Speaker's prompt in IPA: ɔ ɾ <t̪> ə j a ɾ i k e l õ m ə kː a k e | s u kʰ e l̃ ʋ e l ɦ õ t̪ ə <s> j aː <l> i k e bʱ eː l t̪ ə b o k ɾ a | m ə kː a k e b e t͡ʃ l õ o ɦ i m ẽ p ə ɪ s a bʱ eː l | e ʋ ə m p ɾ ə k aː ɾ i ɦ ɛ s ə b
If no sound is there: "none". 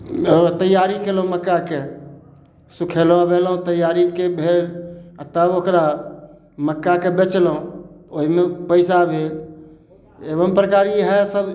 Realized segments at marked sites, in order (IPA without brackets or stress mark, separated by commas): t̪, none, ɾ